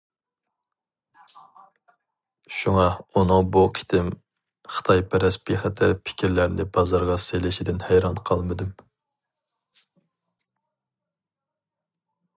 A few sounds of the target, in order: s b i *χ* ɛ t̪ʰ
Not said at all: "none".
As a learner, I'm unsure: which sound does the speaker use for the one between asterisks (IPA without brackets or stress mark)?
χ